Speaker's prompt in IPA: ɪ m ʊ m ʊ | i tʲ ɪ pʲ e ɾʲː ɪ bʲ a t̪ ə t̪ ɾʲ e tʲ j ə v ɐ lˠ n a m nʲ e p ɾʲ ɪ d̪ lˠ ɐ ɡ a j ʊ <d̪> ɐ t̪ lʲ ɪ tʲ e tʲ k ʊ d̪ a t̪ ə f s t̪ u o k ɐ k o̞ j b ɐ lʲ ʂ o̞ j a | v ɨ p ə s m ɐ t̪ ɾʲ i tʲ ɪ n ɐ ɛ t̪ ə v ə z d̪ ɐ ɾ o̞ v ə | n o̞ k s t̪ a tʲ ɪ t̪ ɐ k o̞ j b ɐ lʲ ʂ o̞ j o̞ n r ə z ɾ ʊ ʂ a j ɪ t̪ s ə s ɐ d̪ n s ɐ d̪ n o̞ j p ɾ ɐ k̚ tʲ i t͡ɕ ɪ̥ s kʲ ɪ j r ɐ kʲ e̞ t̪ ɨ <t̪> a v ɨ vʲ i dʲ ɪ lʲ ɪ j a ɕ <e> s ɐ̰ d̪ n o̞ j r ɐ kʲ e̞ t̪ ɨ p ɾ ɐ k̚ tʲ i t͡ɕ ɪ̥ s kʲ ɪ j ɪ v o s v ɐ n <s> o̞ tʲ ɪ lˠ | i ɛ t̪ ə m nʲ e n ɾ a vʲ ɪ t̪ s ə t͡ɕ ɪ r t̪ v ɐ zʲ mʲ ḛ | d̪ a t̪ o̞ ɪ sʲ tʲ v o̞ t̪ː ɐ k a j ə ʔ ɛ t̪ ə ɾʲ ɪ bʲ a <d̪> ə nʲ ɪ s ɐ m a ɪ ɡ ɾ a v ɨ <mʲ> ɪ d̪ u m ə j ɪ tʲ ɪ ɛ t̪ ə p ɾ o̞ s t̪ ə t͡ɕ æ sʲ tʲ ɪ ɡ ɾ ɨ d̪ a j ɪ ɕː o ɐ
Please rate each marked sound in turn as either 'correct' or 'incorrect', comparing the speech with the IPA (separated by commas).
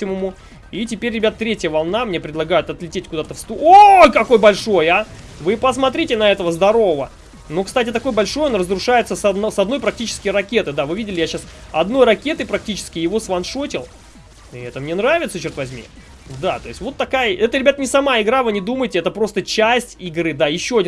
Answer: incorrect, incorrect, incorrect, incorrect, incorrect, incorrect